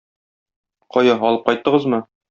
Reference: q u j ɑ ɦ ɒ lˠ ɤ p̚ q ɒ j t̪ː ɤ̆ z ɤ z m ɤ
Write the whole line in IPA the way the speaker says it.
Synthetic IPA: q ɒ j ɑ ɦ ɒ lˠ ɤ p̚ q ɒ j t̪ː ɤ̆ ʁ ɤ z m ɤ